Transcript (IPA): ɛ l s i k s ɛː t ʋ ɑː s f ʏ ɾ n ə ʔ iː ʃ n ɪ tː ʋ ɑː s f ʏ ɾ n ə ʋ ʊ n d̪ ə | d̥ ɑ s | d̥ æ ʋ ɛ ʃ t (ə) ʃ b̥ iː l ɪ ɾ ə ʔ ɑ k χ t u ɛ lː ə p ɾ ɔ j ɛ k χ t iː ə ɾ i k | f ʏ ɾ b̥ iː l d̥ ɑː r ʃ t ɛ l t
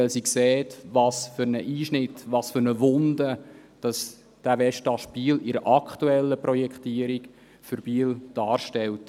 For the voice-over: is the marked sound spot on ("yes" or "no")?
no